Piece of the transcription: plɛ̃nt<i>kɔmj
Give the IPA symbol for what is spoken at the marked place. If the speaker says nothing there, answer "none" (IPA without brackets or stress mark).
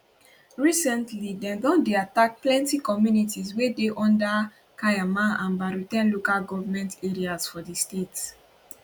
i